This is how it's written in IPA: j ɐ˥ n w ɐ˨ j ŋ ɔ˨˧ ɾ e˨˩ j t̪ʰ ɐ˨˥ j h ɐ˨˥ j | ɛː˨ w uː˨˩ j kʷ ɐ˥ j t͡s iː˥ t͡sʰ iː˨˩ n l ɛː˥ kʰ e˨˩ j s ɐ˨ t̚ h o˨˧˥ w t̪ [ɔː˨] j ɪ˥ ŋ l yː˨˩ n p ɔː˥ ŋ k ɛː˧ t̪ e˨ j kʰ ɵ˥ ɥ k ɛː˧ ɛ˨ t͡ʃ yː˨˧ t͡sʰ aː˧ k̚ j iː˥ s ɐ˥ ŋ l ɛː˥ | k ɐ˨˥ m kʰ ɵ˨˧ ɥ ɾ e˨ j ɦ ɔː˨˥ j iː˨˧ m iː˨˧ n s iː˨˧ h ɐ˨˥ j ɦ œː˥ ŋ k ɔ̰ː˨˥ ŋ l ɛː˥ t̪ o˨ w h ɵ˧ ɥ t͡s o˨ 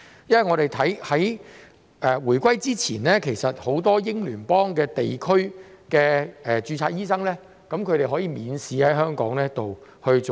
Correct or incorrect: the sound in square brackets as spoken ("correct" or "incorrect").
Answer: incorrect